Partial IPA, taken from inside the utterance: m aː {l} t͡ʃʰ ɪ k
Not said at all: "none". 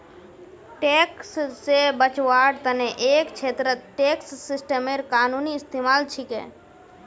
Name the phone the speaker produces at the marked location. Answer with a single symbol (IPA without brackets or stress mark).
l